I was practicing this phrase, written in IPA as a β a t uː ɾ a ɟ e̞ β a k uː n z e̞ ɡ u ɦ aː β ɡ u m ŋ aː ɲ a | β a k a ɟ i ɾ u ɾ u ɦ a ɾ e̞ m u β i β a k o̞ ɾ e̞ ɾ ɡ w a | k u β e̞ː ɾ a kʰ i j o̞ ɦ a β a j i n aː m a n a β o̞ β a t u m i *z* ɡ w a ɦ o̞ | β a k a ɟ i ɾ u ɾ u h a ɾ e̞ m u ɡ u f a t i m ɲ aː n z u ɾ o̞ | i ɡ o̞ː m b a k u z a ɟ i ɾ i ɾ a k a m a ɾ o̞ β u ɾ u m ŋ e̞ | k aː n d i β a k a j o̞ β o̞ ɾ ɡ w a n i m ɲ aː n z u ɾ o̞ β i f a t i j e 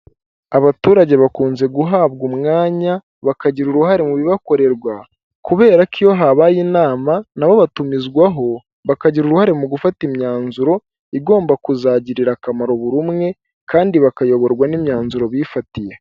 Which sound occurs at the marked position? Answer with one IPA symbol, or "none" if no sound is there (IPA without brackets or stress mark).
z